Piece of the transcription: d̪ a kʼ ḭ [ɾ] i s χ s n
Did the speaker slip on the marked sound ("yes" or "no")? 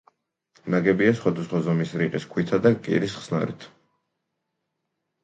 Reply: no